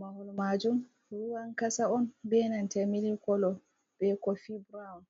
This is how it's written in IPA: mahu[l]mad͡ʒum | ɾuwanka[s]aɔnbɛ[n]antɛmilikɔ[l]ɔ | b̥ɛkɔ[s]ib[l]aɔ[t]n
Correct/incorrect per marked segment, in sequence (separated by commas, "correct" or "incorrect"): correct, correct, correct, correct, incorrect, incorrect, incorrect